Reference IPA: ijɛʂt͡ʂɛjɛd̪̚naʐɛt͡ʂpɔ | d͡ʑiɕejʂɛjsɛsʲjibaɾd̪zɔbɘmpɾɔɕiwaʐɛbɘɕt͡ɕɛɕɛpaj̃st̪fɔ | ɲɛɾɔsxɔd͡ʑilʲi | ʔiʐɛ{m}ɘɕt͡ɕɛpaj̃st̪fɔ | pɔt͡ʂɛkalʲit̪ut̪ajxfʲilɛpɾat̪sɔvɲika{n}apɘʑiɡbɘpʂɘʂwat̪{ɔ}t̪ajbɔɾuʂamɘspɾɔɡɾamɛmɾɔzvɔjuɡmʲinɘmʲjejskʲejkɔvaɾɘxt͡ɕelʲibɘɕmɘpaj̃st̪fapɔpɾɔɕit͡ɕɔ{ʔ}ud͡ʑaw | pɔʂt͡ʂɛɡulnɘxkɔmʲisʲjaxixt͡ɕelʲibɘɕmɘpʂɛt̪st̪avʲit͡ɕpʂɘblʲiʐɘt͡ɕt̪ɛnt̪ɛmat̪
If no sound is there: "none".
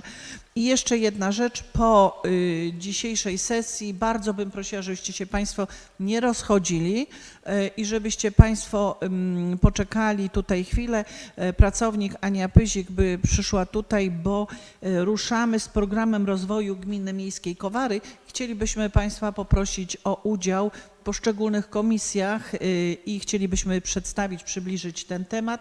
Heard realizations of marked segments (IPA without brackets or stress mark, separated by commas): b, ɲ, u, ʔ